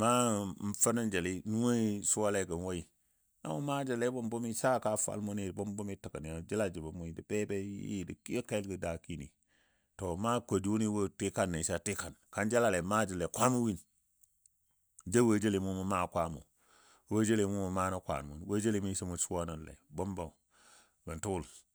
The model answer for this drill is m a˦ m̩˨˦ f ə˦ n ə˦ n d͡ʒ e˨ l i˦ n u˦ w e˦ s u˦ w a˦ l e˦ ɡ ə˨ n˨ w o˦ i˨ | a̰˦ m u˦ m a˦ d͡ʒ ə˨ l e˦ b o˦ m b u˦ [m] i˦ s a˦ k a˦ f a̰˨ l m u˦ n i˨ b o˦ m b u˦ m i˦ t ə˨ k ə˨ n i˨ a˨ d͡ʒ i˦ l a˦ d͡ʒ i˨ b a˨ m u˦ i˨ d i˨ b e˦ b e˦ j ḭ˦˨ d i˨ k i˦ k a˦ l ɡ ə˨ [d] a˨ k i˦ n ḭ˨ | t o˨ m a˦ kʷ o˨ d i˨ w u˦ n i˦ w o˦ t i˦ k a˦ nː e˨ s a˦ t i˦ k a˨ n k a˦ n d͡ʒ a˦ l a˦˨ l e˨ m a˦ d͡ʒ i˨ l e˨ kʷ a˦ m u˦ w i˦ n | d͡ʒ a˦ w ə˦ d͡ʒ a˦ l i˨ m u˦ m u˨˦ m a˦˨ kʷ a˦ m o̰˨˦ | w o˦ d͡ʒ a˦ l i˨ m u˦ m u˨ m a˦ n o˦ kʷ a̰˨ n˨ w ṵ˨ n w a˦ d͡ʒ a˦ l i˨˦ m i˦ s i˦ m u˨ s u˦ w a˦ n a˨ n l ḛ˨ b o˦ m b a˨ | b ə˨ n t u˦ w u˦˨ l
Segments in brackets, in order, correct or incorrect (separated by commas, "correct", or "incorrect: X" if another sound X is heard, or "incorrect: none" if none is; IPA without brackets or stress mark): correct, correct